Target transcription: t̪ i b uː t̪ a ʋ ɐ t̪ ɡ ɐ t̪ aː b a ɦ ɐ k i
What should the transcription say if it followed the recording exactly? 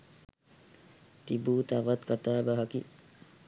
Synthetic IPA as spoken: t̪ i b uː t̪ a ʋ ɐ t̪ k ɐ t̪ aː b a ɦ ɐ k i